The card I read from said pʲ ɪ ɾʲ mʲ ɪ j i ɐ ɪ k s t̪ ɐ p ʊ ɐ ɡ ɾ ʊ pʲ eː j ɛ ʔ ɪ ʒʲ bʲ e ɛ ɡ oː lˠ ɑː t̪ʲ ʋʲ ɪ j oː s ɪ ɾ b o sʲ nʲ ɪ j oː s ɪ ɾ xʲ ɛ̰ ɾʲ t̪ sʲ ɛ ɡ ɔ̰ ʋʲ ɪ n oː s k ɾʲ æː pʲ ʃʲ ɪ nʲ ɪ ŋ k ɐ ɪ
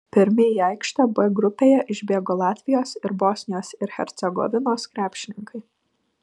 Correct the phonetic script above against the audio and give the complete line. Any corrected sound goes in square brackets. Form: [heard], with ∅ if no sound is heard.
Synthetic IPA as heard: pʲ ɪ ɾʲ mʲ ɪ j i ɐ ɪ k [ʃ] t̪ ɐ [b] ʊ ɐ ɡ ɾ ʊ pʲ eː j ɛ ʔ ɪ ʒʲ bʲ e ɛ ɡ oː lˠ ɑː t̪ʲ ʋʲ ɪ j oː s ɪ ɾ b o sʲ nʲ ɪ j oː s ɪ ɾ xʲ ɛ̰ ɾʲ t̪ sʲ ɛ ɡ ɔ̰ ʋʲ ɪ n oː s k ɾʲ æː pʲ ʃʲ ɪ nʲ ɪ ŋ k ɐ ɪ